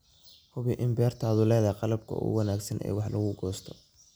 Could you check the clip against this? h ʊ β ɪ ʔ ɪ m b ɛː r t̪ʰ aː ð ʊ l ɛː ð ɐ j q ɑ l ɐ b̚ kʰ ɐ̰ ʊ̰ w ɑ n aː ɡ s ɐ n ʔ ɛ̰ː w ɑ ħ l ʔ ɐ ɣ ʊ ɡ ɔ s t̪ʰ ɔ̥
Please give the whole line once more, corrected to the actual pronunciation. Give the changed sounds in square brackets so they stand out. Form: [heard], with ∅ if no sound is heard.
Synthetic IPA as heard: h ʊ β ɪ ʔ ɪ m b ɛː r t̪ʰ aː ð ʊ l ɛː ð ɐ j q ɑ l ɐ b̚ kʰ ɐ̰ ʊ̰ w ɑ n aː ɡ s ɐ n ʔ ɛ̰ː w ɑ ħ l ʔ ɐ ɣ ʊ ɡ [ɔː] s t̪ʰ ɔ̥